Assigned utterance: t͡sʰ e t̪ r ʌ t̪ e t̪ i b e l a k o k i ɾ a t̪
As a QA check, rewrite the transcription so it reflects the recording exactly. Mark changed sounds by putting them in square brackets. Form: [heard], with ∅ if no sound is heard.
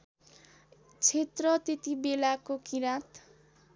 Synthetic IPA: t͡sʰ e t̪ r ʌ t̪ e t̪ i b e l a k o k i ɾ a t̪